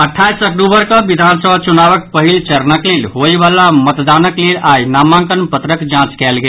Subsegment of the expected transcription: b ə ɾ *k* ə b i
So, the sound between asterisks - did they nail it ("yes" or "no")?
yes